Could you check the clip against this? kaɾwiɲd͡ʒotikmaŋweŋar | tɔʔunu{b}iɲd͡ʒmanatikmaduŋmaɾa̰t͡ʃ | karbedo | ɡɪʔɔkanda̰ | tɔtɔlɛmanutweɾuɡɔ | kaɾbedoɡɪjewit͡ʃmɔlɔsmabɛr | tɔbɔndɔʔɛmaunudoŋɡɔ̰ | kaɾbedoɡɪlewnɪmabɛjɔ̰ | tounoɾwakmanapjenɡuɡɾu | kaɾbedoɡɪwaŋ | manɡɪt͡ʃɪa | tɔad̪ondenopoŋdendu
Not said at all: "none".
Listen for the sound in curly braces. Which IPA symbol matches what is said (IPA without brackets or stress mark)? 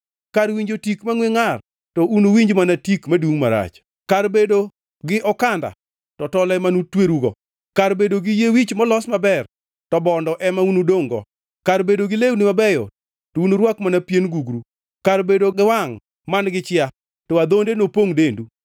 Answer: w